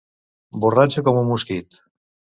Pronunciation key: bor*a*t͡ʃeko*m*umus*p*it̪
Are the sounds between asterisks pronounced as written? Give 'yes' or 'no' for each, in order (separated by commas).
yes, yes, no